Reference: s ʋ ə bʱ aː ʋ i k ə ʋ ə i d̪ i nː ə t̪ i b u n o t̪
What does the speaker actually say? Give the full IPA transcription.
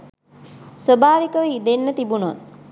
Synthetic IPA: s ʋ ə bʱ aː ʋ i k ə ʋ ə i d̪ e nː ə t̪ i b u n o t̪